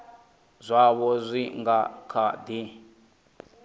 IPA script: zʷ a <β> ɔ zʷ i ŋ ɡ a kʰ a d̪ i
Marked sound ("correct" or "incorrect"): correct